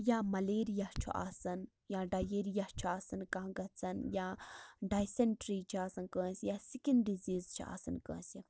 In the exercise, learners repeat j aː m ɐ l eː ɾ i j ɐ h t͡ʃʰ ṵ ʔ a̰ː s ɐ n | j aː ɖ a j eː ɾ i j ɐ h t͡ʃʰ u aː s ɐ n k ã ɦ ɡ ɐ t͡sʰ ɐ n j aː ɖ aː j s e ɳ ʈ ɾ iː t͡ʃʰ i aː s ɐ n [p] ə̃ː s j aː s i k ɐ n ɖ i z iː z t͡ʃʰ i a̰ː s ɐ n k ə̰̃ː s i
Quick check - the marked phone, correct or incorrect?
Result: incorrect